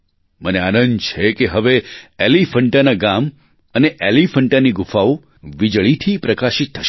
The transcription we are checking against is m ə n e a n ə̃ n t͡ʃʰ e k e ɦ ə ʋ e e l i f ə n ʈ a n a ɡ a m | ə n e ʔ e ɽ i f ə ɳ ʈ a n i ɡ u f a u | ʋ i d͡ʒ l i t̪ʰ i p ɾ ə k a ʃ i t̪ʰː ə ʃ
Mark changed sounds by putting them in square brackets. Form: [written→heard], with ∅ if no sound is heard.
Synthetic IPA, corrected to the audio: m ə n e a n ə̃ n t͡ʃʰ e k e ɦ ə ʋ e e l i f ə [n→ɳ] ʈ a n a ɡ a m | ə n e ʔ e [ɽ→l] i f ə ɳ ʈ a n i ɡ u f a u | ʋ i d͡ʒ [l→ɭ] i t̪ʰ i p ɾ ə k a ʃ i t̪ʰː ə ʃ